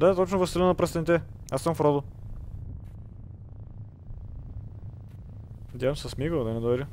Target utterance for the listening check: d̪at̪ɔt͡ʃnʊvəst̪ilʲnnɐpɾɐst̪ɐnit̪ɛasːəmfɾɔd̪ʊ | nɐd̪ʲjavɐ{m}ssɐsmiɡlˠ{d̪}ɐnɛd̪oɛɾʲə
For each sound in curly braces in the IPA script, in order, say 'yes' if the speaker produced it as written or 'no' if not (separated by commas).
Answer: yes, yes